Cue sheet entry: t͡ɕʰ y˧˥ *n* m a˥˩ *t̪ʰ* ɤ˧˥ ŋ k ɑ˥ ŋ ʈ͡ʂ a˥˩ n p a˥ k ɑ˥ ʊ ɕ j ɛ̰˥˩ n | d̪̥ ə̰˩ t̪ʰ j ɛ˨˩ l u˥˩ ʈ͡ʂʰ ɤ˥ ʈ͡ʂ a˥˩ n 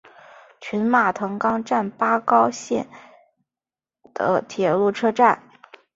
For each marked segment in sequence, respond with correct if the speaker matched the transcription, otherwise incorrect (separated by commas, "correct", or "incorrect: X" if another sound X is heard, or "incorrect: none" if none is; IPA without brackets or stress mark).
correct, correct